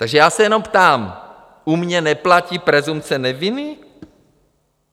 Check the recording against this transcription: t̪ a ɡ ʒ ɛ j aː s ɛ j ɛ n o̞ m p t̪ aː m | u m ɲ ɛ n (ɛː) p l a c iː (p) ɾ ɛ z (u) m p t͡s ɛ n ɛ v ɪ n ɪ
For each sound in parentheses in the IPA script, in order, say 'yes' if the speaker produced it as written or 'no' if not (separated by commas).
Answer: no, yes, yes